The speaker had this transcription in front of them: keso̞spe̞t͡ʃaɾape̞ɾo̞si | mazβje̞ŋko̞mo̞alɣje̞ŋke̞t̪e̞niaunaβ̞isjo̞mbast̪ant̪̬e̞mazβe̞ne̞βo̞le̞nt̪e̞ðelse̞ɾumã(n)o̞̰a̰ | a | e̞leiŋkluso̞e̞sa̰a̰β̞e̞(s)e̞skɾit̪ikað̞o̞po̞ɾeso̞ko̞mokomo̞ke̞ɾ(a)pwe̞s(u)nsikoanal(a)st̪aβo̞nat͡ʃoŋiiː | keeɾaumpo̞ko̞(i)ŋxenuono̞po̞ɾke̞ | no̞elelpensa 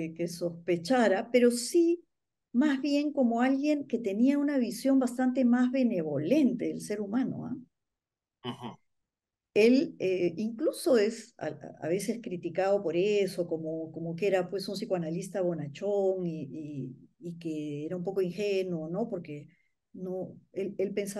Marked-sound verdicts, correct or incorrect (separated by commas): correct, correct, correct, correct, incorrect, correct